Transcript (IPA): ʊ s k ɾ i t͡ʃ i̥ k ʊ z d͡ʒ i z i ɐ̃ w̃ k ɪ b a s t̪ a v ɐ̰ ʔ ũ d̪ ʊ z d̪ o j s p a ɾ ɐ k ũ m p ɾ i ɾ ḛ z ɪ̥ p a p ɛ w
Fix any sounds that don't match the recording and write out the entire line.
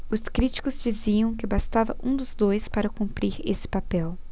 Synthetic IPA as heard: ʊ s k ɾ i t͡ʃ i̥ k ʊ z d͡ʒ i z i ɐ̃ w̃ k ɪ b a s t̪ a v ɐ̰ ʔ ũ d̪ ʊ z d̪ o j s p a ɾ ɐ k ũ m p ɾ i ɾ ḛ s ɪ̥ p a p ɛ w